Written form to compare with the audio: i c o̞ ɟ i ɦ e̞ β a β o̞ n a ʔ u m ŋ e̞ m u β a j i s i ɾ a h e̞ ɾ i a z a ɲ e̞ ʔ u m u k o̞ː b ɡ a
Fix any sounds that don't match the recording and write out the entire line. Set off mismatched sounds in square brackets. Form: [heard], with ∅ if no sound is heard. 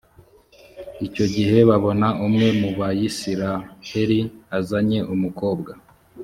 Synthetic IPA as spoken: i c o̞ ɟ i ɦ e̞ β a β o̞ n a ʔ u m ŋ e̞ m u β a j i s i ɾ a h e̞ ɾ i a z a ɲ e̞ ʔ u m u k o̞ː b ɡ a